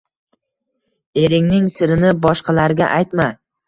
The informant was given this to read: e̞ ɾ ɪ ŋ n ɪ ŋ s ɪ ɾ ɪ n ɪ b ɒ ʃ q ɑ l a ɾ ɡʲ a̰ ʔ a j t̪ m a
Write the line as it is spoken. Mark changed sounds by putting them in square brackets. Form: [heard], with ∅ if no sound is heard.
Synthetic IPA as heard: e̞ ɾ ɪ ŋ n ɪ ŋ s ɪ ɾ ɪ n ɪ b ɒ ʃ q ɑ l a ɾ ɡʲ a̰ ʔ a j t̪ m a